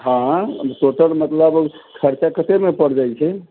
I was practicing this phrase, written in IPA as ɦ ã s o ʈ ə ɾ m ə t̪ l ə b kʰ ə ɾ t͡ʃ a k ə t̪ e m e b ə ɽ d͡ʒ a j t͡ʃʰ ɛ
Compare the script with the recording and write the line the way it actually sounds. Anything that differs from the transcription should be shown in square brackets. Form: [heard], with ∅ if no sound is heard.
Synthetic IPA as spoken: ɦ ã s o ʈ ə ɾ m ə t̪ l ə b kʰ ə ɾ t͡ʃ a k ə t̪ e m e [p] ə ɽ d͡ʒ a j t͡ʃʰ ɛ